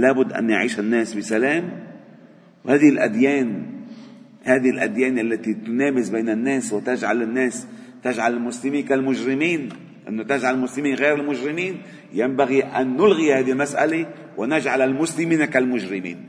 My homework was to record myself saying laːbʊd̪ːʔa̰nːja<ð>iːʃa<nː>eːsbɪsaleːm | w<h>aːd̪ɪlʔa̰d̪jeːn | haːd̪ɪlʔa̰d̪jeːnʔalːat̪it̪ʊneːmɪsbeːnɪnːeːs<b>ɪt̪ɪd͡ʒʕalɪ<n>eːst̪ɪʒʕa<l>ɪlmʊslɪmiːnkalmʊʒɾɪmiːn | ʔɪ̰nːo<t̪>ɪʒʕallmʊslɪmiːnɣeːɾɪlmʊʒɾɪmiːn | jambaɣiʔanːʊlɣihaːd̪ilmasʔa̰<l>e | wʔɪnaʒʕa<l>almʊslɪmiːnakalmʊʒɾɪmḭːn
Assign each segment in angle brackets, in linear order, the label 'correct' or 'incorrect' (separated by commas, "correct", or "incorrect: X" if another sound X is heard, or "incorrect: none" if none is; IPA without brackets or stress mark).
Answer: incorrect: ʕ, correct, correct, incorrect: w, incorrect: nː, correct, correct, correct, correct